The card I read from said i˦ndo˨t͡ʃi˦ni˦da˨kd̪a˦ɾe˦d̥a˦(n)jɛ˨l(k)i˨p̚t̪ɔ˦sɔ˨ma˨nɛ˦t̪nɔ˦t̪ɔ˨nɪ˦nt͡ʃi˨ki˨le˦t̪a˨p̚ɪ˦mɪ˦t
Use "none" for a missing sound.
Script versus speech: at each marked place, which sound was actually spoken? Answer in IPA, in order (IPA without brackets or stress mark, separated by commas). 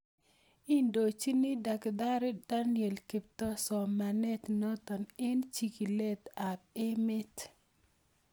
n, k